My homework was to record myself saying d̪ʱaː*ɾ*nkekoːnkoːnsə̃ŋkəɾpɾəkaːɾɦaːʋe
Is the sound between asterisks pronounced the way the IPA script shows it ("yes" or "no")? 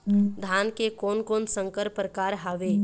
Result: no